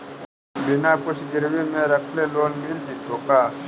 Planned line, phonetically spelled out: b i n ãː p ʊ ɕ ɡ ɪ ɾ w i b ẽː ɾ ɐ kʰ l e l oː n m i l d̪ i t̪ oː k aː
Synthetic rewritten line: b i n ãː p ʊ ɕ ɡ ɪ ɾ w i m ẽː ɾ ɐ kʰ l e l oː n m i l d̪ i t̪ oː k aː

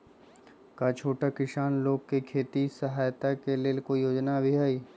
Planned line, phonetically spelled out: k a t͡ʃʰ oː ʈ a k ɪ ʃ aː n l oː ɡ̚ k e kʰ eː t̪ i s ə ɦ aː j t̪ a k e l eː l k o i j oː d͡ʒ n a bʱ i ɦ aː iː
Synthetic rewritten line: k a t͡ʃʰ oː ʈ a k ɪ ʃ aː n l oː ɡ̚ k e kʰ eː t̪ i s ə ɦ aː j t̪ a k e l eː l k o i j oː d͡ʒ n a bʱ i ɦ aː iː

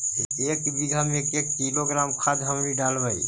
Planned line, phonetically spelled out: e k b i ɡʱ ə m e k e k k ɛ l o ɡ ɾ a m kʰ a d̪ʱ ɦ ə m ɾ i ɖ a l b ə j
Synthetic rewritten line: e k b i ɡʱ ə m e k e k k i l o ɡ ɾ a m kʰ a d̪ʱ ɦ ə m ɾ i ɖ a l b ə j

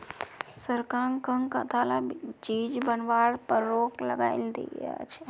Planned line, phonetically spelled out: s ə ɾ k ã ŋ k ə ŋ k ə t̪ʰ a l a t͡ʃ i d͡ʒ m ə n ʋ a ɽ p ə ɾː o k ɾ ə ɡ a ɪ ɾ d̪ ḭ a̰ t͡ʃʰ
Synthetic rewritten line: s ə ɾ k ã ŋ k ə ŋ k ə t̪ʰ a l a t͡ʃ i d͡ʒ b ə n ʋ a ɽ p ə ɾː o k l ə ɡ a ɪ l d̪ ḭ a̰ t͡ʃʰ

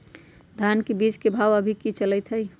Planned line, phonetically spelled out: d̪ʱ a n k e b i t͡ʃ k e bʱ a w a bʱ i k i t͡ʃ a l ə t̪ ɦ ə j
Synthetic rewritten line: d̪ʱ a n k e b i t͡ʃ k e bʱ a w ə bʱ i k i t͡ʃ ə l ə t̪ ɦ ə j

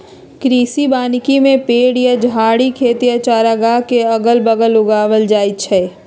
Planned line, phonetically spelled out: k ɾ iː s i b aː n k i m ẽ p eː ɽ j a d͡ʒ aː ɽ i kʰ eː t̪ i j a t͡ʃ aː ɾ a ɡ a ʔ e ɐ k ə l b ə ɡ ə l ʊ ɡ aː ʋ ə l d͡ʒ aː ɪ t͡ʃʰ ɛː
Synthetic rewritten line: k ɾ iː s i b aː n k i m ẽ p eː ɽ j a d͡ʒ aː ɽ i kʰ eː t̪ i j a t͡ʃ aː ɾ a ɡ a k e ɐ ɡ ə l b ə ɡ ə l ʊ ɡ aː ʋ ə l d͡ʒ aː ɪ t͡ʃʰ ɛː

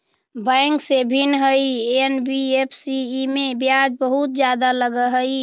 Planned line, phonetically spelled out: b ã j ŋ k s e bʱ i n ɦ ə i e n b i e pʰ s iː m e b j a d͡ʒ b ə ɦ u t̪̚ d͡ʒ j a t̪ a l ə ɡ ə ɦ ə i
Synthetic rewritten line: b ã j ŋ k s e bʱ i n ɦ ə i e n b i e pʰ s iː m e b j a d͡ʒ b ə ɦ u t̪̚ d͡ʒ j a d̪ a l ə ɡ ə ɦ ə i

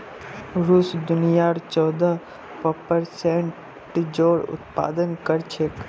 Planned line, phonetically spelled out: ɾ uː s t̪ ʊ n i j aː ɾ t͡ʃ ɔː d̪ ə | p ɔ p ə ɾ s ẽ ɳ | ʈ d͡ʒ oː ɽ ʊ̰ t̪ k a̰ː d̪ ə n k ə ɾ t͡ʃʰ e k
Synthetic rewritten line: ɾ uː s d̪ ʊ n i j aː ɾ t͡ʃ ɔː d̪ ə | p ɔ p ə ɾ s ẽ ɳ | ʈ d͡ʒ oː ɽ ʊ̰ t̪ p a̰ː d̪ ə n k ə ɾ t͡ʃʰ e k

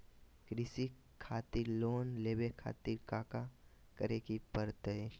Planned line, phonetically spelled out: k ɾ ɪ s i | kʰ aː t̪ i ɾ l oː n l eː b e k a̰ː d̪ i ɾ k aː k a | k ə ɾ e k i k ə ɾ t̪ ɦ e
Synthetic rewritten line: k ɾ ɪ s i | kʰ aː t̪ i ɾ l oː n l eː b e kʰ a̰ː t̪ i ɾ k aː k a | k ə ɾ e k i p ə ɾ t̪ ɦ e

